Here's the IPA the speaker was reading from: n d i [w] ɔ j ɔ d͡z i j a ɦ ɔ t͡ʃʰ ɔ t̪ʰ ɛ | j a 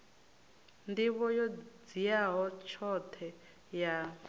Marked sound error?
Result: yes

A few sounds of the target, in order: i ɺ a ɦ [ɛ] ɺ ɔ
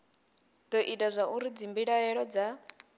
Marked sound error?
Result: no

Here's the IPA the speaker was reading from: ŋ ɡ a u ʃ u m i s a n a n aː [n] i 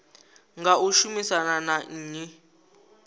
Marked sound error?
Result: yes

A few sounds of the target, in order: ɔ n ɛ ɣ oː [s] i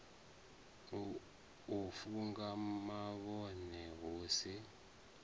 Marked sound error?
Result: no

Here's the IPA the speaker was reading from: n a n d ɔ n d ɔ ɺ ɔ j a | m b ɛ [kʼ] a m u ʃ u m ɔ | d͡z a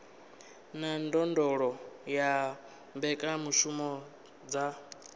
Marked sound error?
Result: no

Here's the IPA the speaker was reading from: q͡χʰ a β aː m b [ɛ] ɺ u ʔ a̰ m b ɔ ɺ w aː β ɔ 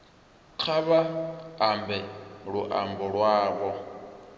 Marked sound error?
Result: no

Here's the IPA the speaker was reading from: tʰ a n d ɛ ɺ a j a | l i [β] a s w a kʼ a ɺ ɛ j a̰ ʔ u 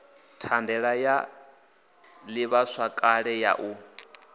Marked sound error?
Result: no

